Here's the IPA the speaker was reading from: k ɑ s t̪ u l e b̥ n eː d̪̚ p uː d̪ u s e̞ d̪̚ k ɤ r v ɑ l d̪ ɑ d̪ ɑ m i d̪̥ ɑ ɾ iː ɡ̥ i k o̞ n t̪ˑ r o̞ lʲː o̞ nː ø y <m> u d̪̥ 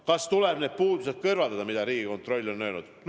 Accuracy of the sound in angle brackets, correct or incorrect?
incorrect